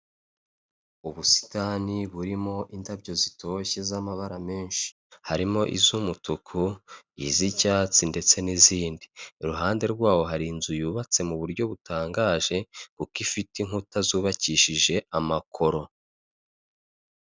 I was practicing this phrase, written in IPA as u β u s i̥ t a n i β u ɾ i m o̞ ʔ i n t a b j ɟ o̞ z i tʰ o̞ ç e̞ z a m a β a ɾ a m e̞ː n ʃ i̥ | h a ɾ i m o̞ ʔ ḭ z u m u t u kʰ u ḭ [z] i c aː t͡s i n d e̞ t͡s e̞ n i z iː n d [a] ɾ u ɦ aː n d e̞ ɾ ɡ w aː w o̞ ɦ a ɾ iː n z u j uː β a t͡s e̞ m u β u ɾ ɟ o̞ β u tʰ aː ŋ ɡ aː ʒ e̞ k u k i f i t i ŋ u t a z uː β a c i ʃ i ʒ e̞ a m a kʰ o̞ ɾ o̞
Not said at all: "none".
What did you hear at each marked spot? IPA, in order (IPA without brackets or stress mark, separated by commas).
z, i